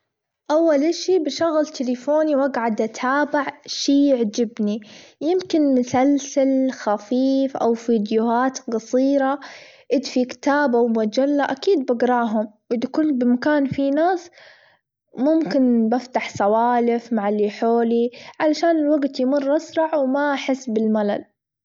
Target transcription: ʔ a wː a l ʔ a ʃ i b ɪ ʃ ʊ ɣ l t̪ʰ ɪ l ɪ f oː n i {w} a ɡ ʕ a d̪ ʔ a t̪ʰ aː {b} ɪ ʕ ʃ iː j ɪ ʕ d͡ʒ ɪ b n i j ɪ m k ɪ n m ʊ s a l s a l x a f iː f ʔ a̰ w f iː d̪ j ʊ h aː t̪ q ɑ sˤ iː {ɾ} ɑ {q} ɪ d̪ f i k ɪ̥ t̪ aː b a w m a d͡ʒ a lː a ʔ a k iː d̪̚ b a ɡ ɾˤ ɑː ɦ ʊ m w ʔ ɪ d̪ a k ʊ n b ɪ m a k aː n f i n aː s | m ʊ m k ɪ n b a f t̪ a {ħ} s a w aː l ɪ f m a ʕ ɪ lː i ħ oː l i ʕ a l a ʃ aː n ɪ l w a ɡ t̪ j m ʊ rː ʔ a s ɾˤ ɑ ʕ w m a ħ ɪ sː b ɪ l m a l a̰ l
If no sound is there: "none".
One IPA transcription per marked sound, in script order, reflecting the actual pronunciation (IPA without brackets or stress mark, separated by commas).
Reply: w, b, ɾ, ʔ, ħ